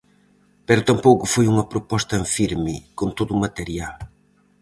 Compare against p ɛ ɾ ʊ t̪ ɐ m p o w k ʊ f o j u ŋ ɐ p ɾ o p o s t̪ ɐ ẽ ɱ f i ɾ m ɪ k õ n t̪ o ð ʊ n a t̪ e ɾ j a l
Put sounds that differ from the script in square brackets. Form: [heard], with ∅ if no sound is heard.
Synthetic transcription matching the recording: p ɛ ɾ ʊ t̪ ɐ m p o w k ʊ f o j u ŋ ɐ p ɾ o p [ɔ] s t̪ ɐ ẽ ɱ f i ɾ m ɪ k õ n t̪ o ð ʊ [m] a t̪ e ɾ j a l